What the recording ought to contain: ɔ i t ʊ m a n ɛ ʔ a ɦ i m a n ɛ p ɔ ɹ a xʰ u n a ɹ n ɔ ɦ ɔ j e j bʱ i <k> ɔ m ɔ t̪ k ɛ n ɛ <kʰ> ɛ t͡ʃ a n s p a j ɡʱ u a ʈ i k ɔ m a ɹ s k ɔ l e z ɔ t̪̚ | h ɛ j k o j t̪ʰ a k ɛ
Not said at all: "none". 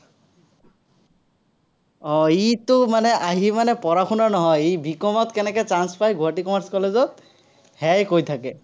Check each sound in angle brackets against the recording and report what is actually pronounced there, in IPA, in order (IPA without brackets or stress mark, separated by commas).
k, k